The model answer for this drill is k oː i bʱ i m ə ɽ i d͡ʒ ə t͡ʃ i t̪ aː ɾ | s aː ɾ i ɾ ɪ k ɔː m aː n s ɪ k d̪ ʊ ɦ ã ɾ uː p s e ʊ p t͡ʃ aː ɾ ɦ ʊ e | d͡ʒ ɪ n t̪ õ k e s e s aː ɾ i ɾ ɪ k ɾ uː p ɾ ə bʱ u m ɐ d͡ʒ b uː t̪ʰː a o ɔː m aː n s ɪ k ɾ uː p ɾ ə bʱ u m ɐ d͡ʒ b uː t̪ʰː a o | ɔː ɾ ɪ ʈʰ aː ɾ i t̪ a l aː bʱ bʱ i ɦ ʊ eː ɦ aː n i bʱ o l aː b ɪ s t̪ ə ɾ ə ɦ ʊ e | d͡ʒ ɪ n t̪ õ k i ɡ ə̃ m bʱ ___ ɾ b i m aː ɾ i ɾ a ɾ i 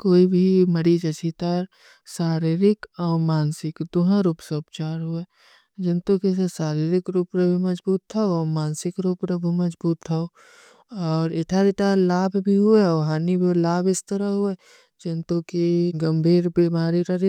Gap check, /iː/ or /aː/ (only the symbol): iː